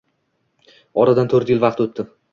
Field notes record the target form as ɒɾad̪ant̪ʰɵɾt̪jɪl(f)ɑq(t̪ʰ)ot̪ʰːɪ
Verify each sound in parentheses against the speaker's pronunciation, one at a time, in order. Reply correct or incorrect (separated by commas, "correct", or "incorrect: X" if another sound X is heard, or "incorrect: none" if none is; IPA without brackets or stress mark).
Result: incorrect: v, incorrect: t̪